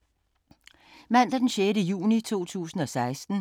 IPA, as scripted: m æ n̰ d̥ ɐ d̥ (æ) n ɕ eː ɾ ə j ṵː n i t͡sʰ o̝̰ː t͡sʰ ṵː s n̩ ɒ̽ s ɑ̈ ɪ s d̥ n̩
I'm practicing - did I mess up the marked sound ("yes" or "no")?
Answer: yes